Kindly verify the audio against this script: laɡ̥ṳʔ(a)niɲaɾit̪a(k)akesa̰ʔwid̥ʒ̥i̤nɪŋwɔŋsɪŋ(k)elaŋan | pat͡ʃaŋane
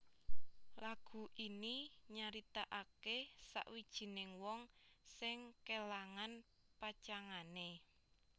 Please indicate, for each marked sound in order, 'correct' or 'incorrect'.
incorrect, incorrect, correct

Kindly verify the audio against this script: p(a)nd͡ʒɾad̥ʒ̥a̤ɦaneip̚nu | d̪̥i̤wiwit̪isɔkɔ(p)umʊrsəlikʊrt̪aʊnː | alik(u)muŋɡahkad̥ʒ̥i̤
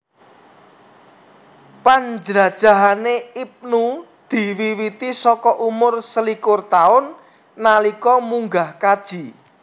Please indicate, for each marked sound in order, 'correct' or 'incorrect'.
correct, incorrect, incorrect

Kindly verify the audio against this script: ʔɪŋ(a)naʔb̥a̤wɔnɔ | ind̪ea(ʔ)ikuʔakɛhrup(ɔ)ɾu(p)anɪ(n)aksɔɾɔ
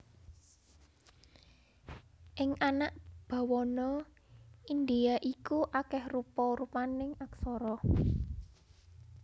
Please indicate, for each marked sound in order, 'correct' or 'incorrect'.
correct, correct, correct, correct, incorrect

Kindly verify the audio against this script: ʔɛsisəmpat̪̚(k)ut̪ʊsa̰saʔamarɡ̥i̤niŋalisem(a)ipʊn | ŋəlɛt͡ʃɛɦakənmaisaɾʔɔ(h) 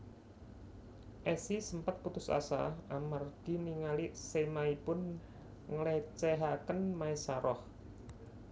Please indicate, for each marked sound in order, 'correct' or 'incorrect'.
incorrect, correct, correct

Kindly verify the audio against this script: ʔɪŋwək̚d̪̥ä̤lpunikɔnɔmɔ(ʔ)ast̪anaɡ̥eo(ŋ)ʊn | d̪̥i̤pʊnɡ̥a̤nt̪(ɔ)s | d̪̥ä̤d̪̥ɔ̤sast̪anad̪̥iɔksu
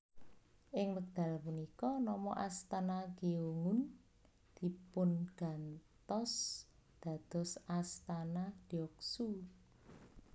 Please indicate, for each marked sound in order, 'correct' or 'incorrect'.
correct, correct, correct

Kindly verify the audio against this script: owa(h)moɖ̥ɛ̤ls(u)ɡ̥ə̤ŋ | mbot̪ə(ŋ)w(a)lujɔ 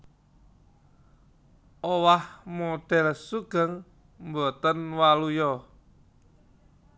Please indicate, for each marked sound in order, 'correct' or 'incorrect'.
correct, correct, incorrect, correct

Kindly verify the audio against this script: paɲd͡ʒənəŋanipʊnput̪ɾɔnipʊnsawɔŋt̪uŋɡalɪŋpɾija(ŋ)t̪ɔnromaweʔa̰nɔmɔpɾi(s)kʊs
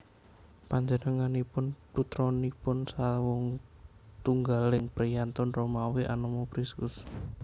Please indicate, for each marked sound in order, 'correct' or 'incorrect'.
incorrect, correct

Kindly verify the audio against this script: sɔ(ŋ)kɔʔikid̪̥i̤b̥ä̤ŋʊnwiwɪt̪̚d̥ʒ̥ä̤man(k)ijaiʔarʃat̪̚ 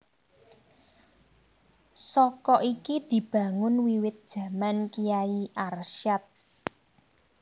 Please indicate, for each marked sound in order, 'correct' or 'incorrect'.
incorrect, correct

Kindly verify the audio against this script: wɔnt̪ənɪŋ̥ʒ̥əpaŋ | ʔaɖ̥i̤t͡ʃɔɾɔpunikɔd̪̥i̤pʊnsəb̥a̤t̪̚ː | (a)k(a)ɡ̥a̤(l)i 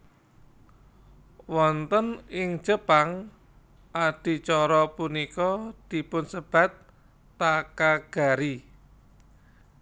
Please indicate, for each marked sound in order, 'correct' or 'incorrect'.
correct, correct, incorrect

